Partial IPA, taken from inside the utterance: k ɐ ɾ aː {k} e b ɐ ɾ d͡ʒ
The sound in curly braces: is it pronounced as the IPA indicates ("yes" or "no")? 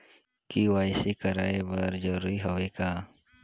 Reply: no